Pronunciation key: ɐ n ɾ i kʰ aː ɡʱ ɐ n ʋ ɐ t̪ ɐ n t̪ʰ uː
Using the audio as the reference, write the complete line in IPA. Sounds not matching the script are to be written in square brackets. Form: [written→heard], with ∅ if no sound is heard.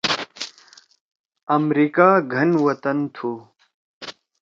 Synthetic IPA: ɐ [n→m] ɾ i [kʰ→k] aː ɡʱ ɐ n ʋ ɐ t̪ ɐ n t̪ʰ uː